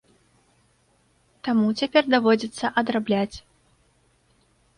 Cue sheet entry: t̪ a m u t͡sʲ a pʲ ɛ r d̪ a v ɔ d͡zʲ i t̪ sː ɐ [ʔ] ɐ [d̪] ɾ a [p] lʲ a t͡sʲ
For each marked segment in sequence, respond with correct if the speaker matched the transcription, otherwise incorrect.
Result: correct, correct, incorrect

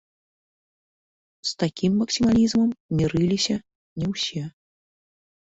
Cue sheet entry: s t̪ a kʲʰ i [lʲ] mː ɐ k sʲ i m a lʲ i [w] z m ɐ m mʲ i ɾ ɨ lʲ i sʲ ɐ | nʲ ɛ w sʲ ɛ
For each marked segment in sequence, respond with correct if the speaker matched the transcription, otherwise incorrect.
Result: incorrect, incorrect

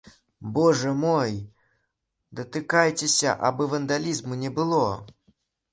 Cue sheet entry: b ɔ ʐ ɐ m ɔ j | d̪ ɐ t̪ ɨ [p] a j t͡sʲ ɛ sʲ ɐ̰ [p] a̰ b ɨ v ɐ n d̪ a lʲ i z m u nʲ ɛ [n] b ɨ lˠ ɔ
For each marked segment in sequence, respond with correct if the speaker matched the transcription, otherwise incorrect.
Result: incorrect, incorrect, incorrect

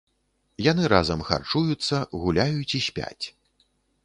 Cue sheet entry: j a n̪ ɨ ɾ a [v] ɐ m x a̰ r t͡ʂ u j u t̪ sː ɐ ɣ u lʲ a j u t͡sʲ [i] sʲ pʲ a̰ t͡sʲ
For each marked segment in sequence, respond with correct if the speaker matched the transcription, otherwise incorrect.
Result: incorrect, correct

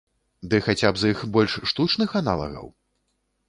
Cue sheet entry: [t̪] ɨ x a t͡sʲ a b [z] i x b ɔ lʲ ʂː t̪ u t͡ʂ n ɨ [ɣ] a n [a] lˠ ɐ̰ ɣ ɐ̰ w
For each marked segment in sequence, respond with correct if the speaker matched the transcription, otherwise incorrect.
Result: incorrect, correct, incorrect, correct

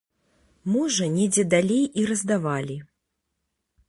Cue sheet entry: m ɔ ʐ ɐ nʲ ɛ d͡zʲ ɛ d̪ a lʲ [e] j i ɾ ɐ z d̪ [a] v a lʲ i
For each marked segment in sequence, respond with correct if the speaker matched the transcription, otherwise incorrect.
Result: correct, correct

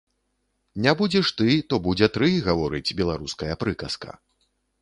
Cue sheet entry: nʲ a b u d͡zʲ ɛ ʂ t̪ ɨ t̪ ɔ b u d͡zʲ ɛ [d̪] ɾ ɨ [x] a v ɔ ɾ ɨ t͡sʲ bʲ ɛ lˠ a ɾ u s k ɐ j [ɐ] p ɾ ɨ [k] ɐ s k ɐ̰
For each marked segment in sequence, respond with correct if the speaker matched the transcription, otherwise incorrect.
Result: incorrect, incorrect, correct, correct

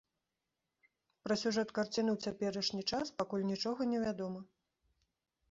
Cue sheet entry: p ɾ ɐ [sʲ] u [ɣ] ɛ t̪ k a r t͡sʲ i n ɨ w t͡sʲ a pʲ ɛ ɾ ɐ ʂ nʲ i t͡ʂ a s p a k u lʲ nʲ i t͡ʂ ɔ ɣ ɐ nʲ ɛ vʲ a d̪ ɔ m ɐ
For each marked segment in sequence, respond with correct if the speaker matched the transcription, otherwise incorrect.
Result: correct, incorrect

